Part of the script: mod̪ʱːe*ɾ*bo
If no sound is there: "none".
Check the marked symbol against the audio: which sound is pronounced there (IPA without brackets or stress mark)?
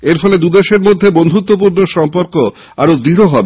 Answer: none